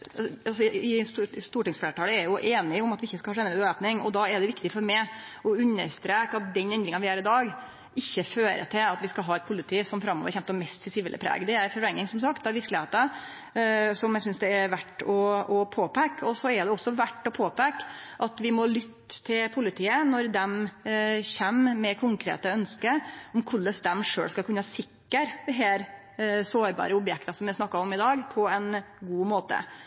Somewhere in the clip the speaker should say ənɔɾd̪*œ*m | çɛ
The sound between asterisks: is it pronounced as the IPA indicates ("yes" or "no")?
no